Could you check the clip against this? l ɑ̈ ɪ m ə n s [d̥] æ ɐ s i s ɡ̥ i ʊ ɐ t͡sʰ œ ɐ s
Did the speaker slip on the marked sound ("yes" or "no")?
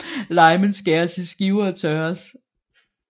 yes